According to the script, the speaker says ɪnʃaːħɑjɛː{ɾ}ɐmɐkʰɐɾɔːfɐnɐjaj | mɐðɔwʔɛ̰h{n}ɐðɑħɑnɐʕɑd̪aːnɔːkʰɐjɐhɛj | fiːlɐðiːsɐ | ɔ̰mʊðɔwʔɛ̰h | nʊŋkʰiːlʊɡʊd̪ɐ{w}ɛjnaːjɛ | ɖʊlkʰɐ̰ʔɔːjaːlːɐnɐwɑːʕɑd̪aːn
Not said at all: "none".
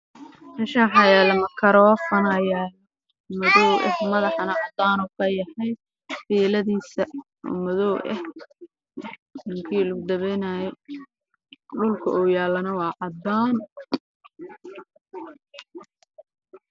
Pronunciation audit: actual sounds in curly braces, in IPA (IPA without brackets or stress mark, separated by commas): l, m, β